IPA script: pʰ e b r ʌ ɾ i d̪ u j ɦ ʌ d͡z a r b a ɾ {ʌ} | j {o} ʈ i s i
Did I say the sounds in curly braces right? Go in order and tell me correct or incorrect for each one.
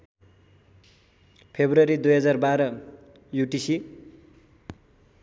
correct, incorrect: u

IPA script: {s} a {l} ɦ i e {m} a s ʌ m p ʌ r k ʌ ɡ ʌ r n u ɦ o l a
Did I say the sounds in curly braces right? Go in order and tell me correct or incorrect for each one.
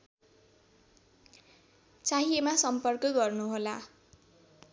incorrect: t͡s, incorrect: none, correct

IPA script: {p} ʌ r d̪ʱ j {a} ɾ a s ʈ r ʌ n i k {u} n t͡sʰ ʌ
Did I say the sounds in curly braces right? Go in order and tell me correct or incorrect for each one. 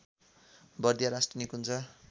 incorrect: b, correct, correct

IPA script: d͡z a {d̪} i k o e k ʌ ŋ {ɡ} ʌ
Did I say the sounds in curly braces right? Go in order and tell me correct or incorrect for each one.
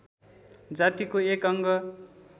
incorrect: t̪, correct

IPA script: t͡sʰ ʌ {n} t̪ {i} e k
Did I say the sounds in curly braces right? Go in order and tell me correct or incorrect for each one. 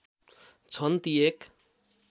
correct, correct

